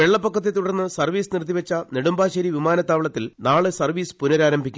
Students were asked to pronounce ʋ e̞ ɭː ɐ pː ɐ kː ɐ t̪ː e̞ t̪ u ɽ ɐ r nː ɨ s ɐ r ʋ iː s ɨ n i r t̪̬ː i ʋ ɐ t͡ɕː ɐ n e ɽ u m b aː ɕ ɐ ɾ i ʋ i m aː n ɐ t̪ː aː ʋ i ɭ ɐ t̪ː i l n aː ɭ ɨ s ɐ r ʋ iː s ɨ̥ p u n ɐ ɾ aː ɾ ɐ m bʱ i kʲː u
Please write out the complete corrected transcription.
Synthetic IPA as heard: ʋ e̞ ɭː ɐ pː ɐ kː ɐ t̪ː e̞ t̪ u ɽ ɐ r nː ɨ s ɐ r ʋ iː s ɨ n i r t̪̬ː i ʋ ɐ t͡ɕː ɐ n e ɽ u m b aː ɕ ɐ ɾ i ʋ i m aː n ɐ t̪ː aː ʋ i ɭ ɐ t̪ː i l n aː ɭ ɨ s ɐ r ʋ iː s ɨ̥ p u n ɐ ɾ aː ɾ ɐ m bʱ i kʲː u